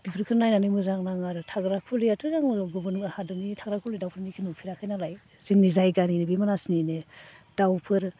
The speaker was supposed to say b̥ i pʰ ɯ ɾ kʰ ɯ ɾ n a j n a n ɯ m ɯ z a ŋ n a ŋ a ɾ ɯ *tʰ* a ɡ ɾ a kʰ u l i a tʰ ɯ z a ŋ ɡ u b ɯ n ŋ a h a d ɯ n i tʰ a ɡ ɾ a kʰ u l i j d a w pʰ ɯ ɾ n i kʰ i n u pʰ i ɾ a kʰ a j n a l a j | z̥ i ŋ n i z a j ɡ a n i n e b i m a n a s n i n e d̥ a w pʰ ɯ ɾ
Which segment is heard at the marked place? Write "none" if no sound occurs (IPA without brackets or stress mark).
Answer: tʰ